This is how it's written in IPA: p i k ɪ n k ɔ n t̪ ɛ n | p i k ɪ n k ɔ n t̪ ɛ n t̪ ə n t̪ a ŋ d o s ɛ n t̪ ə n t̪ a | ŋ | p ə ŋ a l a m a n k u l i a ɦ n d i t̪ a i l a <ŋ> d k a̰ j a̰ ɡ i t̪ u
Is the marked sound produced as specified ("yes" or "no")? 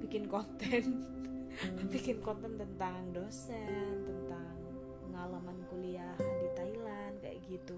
no